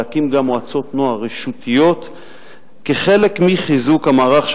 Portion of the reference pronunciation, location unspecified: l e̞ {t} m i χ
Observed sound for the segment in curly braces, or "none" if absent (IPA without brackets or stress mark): k